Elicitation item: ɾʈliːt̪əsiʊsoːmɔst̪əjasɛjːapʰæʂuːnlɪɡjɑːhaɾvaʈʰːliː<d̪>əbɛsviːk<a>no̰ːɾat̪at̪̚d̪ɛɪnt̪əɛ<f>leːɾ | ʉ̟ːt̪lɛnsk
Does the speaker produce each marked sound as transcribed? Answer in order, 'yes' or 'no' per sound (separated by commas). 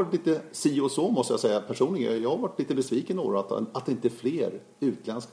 no, no, yes